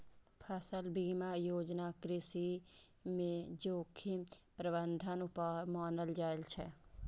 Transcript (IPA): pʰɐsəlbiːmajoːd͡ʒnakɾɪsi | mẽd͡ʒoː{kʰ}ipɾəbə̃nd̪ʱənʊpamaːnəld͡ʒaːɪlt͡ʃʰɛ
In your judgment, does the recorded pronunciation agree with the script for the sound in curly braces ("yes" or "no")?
yes